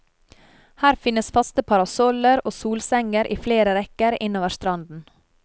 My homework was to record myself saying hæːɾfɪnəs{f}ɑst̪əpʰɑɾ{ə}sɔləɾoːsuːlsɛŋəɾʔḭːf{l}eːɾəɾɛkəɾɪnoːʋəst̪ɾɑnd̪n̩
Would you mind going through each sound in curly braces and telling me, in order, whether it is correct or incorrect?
correct, incorrect: ɑ, correct

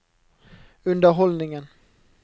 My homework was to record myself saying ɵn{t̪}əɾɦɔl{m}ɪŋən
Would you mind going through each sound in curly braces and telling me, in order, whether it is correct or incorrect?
incorrect: d̪, incorrect: n

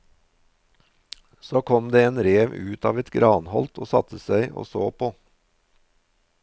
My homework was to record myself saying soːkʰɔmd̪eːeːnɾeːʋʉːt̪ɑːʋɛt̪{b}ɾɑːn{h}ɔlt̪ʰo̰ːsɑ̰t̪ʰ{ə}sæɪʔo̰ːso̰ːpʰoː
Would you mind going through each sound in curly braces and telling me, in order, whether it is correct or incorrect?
incorrect: ɡ, correct, correct

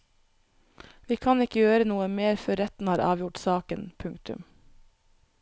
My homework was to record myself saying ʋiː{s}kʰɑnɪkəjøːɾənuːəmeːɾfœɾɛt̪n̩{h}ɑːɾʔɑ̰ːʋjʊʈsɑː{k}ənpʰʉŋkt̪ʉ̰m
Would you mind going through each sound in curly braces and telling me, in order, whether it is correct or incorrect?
incorrect: none, correct, correct

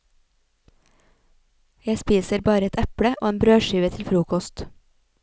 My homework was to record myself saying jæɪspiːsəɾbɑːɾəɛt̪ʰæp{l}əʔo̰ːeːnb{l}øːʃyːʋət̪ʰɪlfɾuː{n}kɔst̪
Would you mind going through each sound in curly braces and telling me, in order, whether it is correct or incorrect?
incorrect: ɽ, incorrect: ɾ, incorrect: none

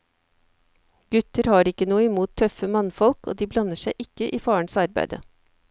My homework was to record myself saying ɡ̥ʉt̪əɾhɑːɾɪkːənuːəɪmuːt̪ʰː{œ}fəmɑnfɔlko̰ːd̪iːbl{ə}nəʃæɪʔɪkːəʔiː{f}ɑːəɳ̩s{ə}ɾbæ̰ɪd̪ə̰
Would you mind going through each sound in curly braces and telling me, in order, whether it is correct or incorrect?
correct, incorrect: ɑ, correct, incorrect: ɑ

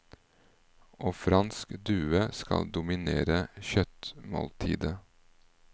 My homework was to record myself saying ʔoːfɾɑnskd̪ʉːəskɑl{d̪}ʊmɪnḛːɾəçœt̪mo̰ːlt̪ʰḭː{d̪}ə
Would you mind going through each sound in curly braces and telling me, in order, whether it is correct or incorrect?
correct, correct

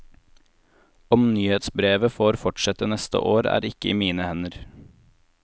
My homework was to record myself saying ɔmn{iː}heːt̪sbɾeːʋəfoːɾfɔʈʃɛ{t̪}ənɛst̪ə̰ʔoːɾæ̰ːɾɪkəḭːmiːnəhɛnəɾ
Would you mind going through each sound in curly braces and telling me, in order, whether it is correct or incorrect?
incorrect: yː, correct

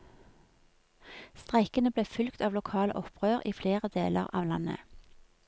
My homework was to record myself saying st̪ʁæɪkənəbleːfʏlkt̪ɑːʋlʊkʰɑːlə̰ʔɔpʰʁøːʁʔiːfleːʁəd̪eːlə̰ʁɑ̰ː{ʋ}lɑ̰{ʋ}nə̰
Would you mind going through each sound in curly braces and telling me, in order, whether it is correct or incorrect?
correct, incorrect: none

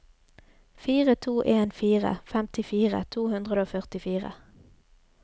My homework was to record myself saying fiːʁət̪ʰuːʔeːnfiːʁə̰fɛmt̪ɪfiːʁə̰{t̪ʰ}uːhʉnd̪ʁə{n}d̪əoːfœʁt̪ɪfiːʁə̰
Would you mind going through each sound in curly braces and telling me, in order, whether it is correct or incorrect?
correct, incorrect: none

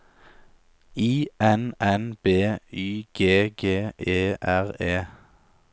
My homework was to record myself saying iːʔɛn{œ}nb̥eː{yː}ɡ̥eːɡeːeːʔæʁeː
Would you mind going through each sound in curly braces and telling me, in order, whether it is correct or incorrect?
incorrect: ɛ, correct

